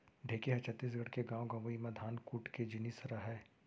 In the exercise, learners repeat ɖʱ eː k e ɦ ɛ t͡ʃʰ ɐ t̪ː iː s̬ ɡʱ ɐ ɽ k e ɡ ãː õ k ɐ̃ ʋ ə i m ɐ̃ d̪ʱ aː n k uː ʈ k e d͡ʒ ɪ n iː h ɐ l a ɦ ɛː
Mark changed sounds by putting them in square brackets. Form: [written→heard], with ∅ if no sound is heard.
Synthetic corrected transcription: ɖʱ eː k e ɦ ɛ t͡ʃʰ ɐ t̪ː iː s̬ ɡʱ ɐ ɽ k e ɡ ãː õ [k→ɡ] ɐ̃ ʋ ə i m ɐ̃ d̪ʱ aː n k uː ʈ k e d͡ʒ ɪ n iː [h→s] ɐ [l→ɾ] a ɦ ɛː